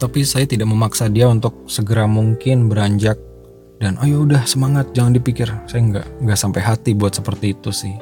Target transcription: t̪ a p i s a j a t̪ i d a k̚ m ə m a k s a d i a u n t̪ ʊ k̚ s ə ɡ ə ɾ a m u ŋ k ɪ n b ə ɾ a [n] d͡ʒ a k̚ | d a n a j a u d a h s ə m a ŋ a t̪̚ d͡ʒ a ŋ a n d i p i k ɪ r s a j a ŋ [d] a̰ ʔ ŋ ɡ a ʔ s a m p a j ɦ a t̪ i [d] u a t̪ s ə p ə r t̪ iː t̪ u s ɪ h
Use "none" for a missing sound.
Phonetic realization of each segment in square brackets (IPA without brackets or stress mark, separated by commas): ɲ, ɡ, b